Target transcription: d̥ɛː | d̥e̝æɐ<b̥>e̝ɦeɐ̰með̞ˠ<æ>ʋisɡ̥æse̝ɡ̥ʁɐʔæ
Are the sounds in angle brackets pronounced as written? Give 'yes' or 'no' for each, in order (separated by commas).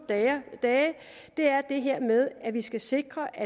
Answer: no, yes